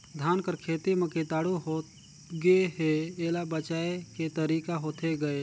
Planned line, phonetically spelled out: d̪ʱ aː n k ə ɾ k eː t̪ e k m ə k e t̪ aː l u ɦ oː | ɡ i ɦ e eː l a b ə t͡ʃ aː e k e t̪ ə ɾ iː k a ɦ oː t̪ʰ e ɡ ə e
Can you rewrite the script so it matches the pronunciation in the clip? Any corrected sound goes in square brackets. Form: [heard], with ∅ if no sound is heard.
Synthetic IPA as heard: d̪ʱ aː n k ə ɾ [kʰ] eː t̪ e [∅] m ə k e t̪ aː [ɽ] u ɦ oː | ɡ [e] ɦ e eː l a b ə t͡ʃ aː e k e t̪ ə ɾ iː k a ɦ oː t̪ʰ e ɡ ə e

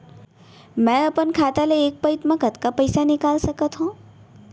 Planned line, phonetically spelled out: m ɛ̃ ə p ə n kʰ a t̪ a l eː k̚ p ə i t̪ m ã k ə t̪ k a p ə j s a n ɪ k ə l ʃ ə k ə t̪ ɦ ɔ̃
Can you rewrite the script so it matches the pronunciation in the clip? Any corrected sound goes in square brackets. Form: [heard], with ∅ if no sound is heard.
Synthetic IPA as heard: m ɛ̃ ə p ə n kʰ a t̪ a l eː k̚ p ə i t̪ m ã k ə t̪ k a p ə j s a n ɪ k [a] l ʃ ə k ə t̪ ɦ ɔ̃

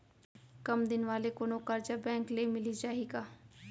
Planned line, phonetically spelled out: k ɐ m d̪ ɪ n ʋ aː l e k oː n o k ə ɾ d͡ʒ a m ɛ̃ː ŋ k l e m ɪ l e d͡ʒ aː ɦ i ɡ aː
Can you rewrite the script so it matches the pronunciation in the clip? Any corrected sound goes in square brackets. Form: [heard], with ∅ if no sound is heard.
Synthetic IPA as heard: k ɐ m d̪ ɪ n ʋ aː l e k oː n o k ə ɾ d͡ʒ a [b] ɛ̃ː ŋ k l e m ɪ l [i] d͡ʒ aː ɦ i ɡ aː

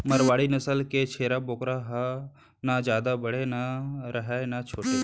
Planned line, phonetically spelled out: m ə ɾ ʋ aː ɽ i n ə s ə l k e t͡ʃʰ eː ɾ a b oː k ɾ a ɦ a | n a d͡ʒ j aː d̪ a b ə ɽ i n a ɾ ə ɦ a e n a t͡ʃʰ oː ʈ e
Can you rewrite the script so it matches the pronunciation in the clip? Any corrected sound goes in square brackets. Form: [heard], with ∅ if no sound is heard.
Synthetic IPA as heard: m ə ɾ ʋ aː ɽ i n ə s ə l k e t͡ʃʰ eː ɾ a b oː k ɾ a ɦ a | n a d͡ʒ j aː d̪ a b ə ɽ [e] n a ɾ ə ɦ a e n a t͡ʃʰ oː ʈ e

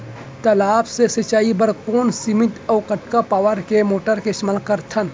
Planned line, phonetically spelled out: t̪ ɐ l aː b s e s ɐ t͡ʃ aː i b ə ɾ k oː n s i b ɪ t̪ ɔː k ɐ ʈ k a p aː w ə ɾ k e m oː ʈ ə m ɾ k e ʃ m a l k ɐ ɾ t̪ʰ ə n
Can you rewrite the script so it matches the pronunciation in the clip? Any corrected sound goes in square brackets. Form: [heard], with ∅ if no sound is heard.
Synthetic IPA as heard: t̪ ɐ l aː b s e s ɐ t͡ʃ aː i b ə ɾ k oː n s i [m] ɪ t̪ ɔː k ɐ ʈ k a p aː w ə ɾ k e m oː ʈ ə [∅] ɾ k e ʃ m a l k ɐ ɾ t̪ʰ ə n

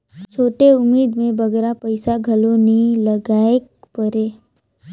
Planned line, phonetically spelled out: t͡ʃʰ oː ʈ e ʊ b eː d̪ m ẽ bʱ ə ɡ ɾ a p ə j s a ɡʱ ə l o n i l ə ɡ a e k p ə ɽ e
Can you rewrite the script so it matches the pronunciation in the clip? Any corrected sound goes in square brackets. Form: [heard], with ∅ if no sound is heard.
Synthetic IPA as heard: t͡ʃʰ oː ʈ e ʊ [m] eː d̪ m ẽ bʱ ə ɡ ɾ a p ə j s a ɡʱ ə l o n i l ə ɡ a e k p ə [ɾ] e

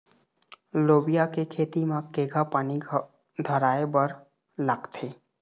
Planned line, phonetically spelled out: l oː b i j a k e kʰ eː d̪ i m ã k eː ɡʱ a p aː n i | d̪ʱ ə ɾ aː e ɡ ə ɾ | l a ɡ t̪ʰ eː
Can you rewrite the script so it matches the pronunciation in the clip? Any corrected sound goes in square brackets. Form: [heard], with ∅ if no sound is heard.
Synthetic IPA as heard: l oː b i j a k e kʰ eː [t̪] i m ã k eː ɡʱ a p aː n i | d̪ʱ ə ɾ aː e [b] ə ɾ | l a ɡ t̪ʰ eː

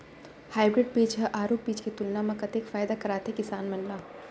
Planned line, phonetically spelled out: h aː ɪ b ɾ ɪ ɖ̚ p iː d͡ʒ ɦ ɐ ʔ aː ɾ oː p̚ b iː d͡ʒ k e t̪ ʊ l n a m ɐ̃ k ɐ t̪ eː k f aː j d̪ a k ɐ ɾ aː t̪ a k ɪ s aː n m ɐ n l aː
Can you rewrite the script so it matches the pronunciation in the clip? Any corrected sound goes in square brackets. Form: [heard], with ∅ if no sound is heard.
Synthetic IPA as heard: h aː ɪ b ɾ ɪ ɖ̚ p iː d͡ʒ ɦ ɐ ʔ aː ɾ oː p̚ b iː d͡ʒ k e t̪ ʊ l n a m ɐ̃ k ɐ t̪ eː k f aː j d̪ a k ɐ ɾ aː t̪ [e] k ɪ s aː n m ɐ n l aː

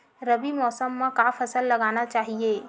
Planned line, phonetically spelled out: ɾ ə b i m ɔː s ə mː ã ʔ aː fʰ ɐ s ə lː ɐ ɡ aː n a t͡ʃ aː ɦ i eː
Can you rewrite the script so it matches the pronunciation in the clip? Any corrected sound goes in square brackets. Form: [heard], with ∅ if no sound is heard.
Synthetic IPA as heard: ɾ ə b i m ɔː s ə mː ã [k] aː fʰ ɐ s ə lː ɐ ɡ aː n a t͡ʃ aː ɦ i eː

